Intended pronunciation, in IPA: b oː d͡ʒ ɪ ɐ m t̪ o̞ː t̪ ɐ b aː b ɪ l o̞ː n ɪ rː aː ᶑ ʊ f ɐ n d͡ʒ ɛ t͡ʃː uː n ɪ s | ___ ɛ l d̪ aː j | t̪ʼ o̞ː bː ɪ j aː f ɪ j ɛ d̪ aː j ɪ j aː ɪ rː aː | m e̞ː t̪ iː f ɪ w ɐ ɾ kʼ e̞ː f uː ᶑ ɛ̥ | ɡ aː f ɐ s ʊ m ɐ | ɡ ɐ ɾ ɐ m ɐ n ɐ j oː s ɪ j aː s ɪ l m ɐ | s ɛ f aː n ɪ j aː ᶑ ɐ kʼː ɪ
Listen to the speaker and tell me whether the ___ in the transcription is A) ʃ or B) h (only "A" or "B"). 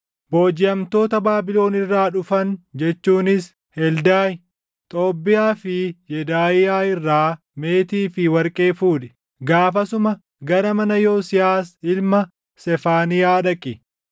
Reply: B